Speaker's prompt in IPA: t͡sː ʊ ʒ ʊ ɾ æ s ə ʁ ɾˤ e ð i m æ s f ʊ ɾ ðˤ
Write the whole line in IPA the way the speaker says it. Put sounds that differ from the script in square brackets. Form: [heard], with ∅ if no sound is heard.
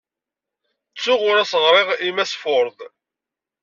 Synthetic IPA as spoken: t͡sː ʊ [ʁ] ʊ ɾ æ s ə ʁ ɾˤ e [ʁ] i m æ s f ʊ ɾ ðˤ